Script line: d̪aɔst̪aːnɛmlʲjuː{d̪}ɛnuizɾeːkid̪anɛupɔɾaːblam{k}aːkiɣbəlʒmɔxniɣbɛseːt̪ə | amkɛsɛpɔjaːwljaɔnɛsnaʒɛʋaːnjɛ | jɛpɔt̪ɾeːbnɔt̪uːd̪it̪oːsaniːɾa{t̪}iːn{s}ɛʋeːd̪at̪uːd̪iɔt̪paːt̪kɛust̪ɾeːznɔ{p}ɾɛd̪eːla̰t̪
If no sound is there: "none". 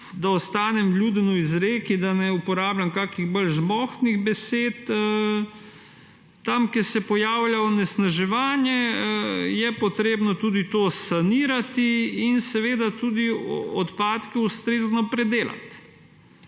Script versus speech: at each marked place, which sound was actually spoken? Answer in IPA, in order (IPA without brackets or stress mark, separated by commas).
d̪, k, t̪, s, p